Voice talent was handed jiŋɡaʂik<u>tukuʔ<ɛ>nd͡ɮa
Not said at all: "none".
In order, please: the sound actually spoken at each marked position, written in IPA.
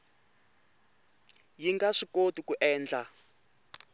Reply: o, ɛː

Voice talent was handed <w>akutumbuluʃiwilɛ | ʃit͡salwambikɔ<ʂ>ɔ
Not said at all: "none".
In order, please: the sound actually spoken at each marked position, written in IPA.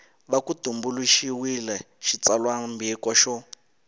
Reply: β, ʃ

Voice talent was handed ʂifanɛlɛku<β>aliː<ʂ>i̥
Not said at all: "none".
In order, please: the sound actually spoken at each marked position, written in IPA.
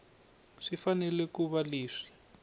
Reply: β, ʂ

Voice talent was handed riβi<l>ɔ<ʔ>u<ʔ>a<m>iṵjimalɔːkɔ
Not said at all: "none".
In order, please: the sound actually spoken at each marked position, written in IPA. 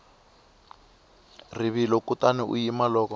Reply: l, k, t, n

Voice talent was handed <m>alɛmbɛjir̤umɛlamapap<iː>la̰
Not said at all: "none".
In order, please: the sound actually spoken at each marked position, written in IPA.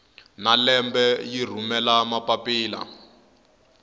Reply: n, iː

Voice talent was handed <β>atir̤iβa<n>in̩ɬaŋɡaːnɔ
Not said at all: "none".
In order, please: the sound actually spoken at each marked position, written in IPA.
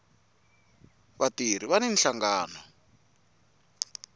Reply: β, n

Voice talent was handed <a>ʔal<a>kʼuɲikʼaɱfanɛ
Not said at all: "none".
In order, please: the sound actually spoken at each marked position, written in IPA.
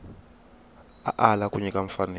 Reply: a, a

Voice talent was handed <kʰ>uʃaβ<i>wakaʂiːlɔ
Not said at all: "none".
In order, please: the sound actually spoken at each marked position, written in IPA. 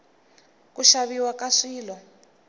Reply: k, i

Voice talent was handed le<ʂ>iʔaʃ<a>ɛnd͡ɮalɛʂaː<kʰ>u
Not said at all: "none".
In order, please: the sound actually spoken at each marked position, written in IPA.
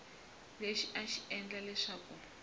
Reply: ʃ, i, k

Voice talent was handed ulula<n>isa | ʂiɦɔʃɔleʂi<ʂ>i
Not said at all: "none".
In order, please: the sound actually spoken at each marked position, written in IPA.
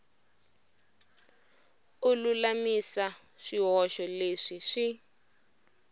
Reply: m, ʂ

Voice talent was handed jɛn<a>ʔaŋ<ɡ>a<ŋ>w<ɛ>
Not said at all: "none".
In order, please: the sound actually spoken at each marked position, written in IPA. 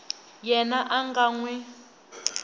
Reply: a, ɡ, ŋ, ɛ

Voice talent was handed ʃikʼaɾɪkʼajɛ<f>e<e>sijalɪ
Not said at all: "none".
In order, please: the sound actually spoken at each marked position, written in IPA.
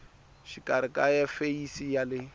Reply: f, i

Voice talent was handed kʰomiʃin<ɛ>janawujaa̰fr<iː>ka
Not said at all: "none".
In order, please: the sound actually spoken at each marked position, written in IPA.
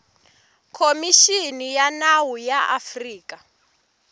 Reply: i, iː

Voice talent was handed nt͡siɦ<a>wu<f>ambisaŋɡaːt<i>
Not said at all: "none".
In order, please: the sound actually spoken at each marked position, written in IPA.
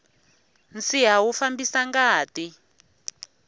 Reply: a, f, i

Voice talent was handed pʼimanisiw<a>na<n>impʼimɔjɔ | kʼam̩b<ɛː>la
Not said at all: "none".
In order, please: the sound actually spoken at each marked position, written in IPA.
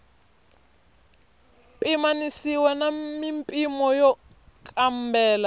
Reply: ɛ, m, ɛː

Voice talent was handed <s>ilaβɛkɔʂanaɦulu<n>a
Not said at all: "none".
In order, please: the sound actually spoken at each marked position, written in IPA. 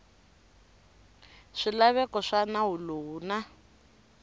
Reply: ʂ, n

